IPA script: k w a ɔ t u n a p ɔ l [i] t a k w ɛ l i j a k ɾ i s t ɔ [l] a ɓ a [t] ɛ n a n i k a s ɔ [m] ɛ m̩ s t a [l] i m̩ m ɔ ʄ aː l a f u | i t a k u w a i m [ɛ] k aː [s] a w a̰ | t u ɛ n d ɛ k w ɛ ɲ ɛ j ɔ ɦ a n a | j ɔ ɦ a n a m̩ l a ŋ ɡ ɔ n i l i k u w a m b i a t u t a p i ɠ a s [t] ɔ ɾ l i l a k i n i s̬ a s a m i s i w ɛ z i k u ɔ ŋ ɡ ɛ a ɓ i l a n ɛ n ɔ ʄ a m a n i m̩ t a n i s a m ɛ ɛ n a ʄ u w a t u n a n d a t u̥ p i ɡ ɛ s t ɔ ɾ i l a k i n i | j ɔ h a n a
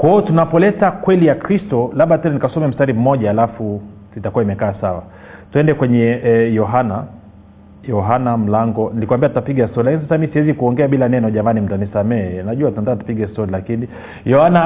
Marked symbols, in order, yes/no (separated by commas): no, yes, yes, yes, no, yes, yes, yes